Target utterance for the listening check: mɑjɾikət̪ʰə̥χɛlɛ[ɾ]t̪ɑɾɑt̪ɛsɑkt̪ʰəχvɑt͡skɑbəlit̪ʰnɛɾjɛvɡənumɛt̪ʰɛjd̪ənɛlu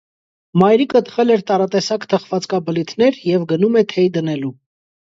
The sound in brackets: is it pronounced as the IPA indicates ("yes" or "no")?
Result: yes